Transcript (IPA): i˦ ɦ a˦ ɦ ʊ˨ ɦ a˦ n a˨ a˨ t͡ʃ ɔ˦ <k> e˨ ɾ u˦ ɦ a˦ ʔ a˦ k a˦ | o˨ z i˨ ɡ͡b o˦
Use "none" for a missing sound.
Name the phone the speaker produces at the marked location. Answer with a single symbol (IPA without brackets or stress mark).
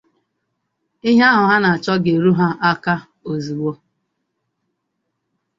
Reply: ɡ